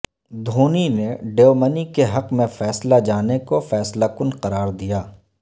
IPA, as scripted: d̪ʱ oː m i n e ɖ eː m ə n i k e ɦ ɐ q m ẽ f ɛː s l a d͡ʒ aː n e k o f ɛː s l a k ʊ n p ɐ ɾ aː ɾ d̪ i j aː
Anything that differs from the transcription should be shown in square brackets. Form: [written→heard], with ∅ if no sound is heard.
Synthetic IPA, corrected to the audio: d̪ʱ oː [m→n] i n e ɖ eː m ə n i k e ɦ ɐ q m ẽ f ɛː s l a d͡ʒ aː n e k o f ɛː s l a k ʊ n [p→q] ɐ ɾ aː ɾ d̪ i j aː